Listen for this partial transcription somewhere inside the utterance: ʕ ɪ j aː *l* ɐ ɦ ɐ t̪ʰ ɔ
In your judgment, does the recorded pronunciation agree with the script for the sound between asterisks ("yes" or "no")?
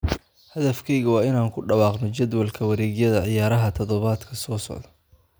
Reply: no